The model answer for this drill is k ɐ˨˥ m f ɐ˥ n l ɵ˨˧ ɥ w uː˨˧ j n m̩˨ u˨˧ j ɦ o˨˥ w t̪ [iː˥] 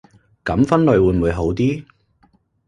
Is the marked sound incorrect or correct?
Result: correct